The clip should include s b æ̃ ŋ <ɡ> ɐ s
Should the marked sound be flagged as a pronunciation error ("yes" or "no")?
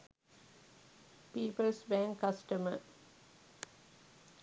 yes